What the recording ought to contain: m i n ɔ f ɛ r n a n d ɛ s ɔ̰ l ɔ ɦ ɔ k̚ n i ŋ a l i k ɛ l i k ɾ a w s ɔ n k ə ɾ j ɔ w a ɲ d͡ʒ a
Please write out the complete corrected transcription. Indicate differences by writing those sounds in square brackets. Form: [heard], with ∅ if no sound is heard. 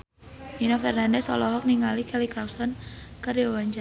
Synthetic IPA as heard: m i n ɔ f ɛ r n a n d ɛ s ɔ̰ l ɔ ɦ ɔ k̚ n i ŋ a l i k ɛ l i k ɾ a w s ɔ n k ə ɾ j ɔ w a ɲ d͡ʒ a

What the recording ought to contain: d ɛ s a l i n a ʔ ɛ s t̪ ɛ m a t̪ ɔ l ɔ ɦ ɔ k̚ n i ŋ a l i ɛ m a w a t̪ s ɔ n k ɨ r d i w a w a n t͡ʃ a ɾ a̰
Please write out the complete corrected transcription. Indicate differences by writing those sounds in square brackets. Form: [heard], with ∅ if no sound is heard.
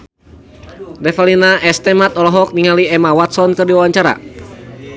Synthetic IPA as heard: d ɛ [f] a l i n a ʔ ɛ s t̪ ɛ m a t̪ ɔ l ɔ ɦ ɔ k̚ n i ŋ a l i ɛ m a w a t̪ s ɔ n k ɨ r d i w a w a [ɲ] t͡ʃ a ɾ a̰

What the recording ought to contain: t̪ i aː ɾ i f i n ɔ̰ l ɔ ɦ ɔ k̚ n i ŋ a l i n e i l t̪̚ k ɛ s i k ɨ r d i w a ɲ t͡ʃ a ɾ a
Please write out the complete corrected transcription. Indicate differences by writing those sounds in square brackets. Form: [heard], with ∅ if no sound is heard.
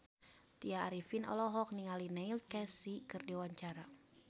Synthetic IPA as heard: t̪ i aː ɾ i f i n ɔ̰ l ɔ ɦ ɔ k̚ n i ŋ a l i n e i l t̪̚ k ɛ s i k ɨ r d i w a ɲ t͡ʃ a ɾ a

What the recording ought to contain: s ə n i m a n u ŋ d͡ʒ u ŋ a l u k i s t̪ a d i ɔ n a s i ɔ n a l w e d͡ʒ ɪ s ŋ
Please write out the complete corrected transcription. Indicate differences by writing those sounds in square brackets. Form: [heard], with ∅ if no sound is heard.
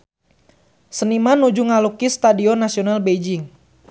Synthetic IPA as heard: s ə n i m a n u [∅] d͡ʒ u ŋ a l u k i s t̪ a d i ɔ n a s i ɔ n a l [b] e d͡ʒ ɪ [∅] ŋ

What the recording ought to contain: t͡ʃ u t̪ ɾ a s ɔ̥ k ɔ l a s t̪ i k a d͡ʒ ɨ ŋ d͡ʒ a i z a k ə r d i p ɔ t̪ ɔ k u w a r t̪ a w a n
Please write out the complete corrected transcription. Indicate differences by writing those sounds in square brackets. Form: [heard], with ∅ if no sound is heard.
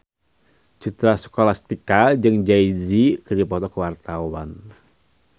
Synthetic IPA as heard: t͡ʃ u t̪ ɾ a s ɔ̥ k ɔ l a s t̪ i k a d͡ʒ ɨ ŋ d͡ʒ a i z [i] k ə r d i p ɔ t̪ ɔ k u w a r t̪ a w a n

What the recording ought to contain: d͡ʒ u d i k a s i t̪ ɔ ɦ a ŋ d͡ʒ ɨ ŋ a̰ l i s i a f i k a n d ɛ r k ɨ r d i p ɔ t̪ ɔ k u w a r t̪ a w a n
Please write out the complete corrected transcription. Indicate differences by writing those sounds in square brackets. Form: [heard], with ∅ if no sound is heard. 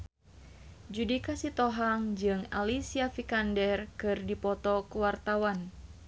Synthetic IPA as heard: d͡ʒ u d i k a s i t̪ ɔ ɦ a ŋ d͡ʒ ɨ ŋ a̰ l i s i a f i k a n d ɛ r k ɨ r d i p ɔ t̪ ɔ k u w a r t̪ a w a n

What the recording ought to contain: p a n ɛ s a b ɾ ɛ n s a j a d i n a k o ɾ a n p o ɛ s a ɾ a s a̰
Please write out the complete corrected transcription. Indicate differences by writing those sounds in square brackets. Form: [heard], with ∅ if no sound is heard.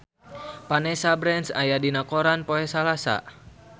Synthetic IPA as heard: p a n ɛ s a b ɾ ɛ n s a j a d i n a k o ɾ a n p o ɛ s a [l] a s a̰

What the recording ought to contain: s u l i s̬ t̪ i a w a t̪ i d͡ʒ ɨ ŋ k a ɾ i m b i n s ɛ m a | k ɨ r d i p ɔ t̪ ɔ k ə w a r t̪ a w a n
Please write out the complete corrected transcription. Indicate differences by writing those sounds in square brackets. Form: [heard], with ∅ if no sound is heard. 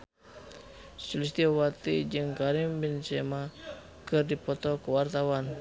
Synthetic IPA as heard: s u l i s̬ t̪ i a w a t̪ i d͡ʒ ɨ ŋ k a ɾ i m b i n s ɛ m a | k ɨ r d i p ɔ t̪ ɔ k ə w a r t̪ a w a n

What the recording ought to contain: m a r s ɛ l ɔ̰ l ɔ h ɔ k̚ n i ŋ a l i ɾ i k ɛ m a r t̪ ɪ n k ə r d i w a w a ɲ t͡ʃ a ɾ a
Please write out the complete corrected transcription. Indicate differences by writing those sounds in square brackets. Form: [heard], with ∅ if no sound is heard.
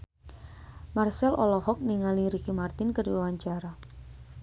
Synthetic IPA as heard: m a r s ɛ l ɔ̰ l ɔ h ɔ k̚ n i ŋ a l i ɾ i k [i] m a r t̪ ɪ n k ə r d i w a w a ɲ t͡ʃ a ɾ a

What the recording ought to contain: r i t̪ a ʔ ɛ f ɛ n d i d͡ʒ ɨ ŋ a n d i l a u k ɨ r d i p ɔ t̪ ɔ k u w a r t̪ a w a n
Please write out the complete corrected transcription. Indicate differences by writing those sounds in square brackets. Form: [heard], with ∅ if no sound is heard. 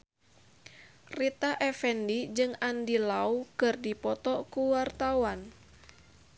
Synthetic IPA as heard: r i t̪ a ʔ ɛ f ɛ n d i d͡ʒ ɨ ŋ a n d i l a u k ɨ r d i p ɔ t̪ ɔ k u w a r t̪ a w a n

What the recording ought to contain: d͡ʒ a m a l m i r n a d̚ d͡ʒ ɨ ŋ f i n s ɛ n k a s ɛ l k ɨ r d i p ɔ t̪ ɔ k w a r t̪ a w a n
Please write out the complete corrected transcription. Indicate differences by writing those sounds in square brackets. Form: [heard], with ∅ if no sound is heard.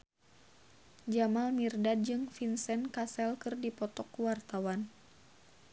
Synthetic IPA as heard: d͡ʒ a m a l m i r [d] a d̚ d͡ʒ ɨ ŋ f i n s ɛ n k a s ɛ l k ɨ r d i p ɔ t̪ ɔ k w a r t̪ a w a n

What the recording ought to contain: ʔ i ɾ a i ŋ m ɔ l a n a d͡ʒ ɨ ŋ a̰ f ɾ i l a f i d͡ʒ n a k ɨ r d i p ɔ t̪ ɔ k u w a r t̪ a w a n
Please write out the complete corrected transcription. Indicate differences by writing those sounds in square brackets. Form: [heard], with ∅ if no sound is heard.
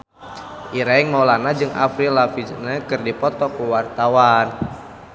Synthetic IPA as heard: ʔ i ɾ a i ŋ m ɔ l a n a d͡ʒ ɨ ŋ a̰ f ɾ i l a f i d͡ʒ n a k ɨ r d i p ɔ t̪ ɔ k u w a r t̪ a w a n

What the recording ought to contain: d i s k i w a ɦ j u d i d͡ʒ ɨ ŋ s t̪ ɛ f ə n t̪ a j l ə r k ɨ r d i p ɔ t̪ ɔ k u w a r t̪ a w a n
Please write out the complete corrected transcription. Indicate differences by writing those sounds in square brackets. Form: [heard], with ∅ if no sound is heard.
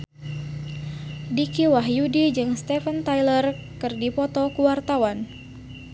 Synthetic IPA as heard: d i [∅] k i w a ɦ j u d i d͡ʒ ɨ ŋ s t̪ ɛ f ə n t̪ a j l ə r k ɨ r d i p ɔ t̪ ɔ k u w a r t̪ a w a n

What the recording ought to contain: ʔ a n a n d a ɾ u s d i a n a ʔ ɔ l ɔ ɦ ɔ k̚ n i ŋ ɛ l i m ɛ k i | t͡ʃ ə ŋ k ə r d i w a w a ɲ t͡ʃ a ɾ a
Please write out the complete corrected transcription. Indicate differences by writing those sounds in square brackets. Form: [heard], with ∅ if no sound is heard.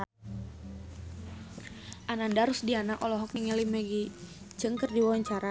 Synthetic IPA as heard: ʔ a n a n d a ɾ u s d i a n a ʔ ɔ l ɔ ɦ ɔ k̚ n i ŋ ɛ l i m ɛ [ɡ] i | t͡ʃ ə ŋ k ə r d i w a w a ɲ t͡ʃ a ɾ a

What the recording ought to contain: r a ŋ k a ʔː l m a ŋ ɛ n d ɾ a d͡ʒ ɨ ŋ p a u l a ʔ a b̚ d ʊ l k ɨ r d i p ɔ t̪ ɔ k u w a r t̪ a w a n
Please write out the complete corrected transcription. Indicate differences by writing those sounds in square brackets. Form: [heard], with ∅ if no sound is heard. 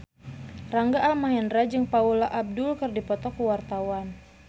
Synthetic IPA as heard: r a ŋ [ɡ] a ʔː l m a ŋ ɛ n d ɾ a d͡ʒ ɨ ŋ p a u l a ʔ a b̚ d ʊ l k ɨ r d i p ɔ t̪ ɔ k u w a r t̪ a w a n

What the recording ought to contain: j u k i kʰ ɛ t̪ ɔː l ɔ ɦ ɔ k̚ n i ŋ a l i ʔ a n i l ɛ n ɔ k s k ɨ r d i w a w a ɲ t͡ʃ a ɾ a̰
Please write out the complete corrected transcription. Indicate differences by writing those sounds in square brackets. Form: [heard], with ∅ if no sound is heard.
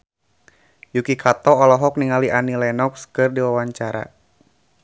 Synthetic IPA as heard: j u k i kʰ [a] t̪ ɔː l ɔ ɦ ɔ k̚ n i ŋ a l i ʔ a n i l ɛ n ɔ k s k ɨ r d i w a w a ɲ t͡ʃ a ɾ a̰

